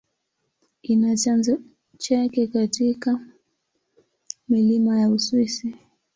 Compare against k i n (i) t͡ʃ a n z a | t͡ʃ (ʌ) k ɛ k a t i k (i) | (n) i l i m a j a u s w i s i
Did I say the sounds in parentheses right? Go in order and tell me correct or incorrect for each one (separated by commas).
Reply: incorrect, incorrect, incorrect, incorrect